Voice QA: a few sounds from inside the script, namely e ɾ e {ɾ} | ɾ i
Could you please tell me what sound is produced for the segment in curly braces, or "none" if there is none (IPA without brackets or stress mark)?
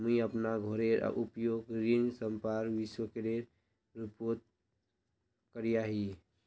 ɾ